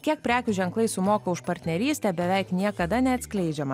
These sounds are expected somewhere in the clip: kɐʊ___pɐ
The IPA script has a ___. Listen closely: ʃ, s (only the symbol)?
ʃ